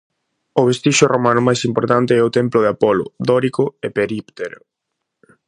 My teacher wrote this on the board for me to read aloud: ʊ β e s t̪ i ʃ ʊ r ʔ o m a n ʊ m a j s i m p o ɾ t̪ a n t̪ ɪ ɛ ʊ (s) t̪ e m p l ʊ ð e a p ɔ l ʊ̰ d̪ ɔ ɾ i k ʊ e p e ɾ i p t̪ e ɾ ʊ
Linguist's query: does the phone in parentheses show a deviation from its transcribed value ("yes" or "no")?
yes